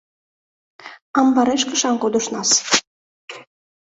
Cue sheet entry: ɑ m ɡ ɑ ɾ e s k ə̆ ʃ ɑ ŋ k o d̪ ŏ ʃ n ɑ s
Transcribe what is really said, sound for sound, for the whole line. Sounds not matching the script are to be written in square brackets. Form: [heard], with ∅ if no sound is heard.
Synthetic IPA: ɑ m [b] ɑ ɾ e [ʃ] k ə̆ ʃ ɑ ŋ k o d̪ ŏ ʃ n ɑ s